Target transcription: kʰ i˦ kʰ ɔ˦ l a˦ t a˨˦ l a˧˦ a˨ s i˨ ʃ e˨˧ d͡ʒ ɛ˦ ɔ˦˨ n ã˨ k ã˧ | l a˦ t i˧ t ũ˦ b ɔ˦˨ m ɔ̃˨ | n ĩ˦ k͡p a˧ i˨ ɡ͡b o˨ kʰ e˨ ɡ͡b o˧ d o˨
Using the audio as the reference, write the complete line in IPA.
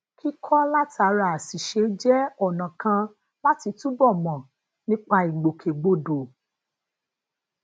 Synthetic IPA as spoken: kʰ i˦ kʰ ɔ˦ l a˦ t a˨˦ ɾ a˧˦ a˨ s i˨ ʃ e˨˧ d͡ʒ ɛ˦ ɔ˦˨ n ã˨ k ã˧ | l a˦ t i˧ t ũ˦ b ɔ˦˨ m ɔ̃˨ | n ĩ˦ k͡p a˧ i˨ ɡ͡b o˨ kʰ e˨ ɡ͡b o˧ d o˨